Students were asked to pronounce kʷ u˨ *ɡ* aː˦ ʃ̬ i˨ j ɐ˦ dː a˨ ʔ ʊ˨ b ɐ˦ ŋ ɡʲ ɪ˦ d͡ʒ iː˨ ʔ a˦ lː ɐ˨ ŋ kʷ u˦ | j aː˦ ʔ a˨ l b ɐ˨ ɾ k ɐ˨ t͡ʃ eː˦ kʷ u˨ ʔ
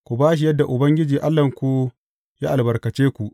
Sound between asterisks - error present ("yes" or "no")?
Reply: yes